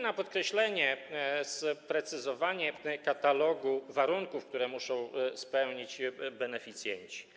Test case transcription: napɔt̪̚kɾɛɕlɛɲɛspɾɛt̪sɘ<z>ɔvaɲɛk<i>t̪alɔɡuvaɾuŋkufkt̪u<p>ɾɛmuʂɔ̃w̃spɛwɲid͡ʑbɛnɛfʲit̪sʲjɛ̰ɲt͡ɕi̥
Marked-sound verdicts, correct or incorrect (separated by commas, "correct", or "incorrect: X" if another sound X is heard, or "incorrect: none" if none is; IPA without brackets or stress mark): correct, incorrect: a, incorrect: none